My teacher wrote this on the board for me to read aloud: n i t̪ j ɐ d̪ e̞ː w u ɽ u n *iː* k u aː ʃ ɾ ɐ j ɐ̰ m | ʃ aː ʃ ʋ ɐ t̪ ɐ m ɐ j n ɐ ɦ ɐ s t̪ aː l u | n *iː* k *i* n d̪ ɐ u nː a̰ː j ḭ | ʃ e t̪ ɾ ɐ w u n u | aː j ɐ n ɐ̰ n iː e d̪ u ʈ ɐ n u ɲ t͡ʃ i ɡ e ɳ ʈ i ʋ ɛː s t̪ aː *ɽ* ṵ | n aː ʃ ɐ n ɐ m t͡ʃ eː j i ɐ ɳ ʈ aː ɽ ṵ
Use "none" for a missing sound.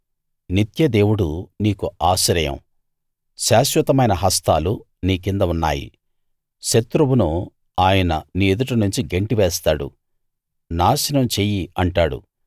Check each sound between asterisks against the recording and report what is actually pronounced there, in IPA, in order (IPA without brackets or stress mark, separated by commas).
iː, iː, i, ɽ